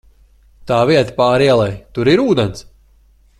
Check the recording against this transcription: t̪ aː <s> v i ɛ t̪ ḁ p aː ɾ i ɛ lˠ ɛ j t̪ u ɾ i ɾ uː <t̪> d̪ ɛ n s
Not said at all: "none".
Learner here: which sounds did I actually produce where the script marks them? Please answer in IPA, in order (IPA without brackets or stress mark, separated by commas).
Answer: none, none